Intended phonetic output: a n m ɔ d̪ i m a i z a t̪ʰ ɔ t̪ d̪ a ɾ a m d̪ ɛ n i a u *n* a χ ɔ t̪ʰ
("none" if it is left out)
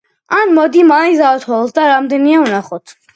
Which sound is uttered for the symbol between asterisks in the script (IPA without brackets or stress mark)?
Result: n